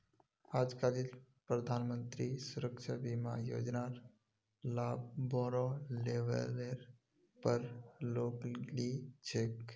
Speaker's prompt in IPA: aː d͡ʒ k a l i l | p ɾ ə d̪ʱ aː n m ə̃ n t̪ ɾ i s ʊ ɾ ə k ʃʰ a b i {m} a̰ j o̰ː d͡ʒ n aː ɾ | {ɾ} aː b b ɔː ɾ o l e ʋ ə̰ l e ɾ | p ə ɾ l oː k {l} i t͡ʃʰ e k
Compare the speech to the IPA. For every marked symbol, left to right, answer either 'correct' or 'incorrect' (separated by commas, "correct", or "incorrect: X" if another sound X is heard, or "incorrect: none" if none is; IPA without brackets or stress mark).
correct, incorrect: l, correct